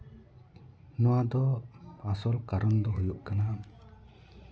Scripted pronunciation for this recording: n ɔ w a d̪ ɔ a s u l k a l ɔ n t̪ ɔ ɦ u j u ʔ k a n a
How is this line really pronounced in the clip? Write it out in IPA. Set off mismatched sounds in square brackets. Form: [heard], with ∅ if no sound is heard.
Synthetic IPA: n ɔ w a d̪ ɔ a s [ɔ] l k a [ɾ] ɔ n [d̪] ɔ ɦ u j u ʔ k a n a